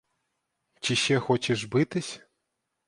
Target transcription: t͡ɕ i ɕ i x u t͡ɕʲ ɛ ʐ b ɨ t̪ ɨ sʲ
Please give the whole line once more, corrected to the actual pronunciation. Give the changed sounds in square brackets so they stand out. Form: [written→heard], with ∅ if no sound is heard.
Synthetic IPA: t͡ɕ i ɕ [i→ɛ] x [u→ɔ] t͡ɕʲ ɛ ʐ b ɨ t̪ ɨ sʲ